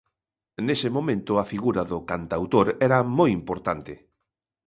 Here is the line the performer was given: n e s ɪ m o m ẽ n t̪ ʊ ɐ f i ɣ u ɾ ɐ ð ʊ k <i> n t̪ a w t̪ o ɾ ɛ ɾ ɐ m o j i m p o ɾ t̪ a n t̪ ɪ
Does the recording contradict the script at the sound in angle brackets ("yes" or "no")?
yes